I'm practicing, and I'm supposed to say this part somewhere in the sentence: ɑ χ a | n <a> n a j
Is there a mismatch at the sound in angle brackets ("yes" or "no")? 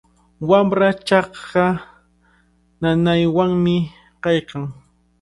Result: no